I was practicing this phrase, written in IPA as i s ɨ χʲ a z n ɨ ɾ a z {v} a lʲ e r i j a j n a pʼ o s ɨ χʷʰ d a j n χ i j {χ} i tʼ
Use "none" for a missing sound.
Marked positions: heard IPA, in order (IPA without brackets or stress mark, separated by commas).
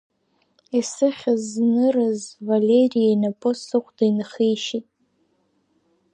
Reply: v, ʃ